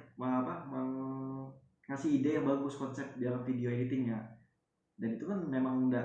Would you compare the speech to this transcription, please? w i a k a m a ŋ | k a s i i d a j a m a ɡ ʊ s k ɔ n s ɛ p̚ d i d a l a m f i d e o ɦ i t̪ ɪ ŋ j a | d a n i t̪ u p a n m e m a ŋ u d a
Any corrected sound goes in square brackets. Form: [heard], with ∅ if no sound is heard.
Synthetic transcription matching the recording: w [a] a [p] a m a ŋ | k a s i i d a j a [b] a ɡ ʊ s k ɔ n s ɛ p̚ d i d a l a m f i d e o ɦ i t̪ ɪ ŋ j a | d a n i t̪ u [k] a n m e m a ŋ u d a